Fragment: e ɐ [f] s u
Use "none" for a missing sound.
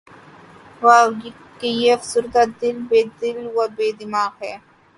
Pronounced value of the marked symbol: f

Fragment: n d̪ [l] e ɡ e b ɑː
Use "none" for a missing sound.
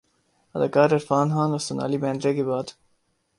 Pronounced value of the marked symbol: ɾ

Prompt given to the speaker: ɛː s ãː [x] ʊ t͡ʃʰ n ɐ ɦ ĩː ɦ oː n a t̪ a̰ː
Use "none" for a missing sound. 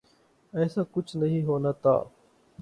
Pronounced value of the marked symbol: k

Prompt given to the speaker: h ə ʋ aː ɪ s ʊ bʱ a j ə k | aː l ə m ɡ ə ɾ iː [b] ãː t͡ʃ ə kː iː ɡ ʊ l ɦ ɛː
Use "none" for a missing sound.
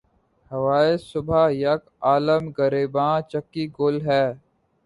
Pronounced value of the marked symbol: b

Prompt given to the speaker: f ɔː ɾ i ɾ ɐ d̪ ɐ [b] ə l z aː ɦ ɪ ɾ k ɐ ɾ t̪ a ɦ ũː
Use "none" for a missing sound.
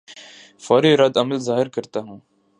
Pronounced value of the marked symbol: m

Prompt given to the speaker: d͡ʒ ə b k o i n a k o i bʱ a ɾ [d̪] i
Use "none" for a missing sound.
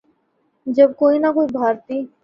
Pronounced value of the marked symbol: t̪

